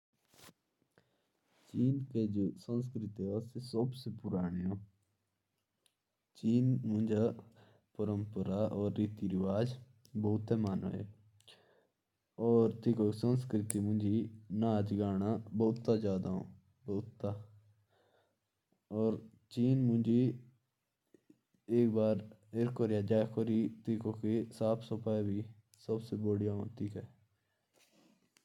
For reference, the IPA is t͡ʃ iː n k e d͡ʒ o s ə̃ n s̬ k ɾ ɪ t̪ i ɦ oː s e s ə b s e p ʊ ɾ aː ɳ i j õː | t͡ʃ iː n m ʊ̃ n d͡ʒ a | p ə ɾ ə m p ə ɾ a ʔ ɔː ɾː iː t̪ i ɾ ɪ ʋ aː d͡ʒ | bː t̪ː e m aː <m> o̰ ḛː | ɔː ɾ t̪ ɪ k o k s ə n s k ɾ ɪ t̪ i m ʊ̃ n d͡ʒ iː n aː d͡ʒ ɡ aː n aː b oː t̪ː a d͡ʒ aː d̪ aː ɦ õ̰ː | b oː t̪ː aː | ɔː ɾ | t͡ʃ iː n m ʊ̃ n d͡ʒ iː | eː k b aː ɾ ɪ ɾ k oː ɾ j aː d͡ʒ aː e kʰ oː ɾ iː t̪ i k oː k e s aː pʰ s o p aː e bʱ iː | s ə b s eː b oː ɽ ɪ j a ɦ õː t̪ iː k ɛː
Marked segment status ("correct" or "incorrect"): incorrect